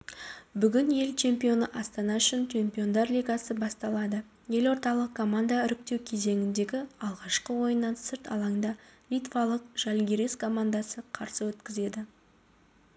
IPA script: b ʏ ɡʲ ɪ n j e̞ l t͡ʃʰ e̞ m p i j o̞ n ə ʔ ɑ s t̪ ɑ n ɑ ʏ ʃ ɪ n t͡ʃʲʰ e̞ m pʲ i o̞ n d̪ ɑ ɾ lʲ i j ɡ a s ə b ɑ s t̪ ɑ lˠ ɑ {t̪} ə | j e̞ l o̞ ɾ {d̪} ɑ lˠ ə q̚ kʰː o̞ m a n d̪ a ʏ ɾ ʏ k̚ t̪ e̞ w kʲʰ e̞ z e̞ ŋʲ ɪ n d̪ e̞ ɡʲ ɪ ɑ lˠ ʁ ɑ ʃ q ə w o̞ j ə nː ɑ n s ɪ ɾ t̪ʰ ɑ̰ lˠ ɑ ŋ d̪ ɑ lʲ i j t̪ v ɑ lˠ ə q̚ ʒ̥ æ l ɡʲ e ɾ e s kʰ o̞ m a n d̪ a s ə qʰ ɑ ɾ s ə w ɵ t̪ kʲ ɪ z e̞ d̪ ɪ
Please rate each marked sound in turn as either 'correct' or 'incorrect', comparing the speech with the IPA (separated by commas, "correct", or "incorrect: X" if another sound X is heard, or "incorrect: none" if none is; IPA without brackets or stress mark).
incorrect: d̪, incorrect: t̪